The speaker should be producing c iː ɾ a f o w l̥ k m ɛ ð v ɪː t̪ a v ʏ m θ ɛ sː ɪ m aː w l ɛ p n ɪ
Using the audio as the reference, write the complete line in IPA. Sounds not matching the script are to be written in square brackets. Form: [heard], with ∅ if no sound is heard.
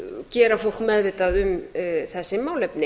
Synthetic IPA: c [ɛː] ɾ a f o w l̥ k m ɛ ð v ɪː t̪ a [ð] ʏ m θ ɛ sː ɪ m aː w l ɛ p n ɪ